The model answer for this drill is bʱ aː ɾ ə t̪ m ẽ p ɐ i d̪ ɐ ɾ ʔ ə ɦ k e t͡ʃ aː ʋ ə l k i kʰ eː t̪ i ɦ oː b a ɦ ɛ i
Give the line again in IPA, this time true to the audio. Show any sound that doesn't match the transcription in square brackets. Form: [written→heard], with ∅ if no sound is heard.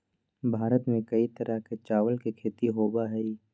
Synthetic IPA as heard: bʱ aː ɾ ə t̪ m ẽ [p→k] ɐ i [d̪→t̪] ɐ ɾ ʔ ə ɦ k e t͡ʃ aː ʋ ə l k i kʰ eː t̪ i ɦ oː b a ɦ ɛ i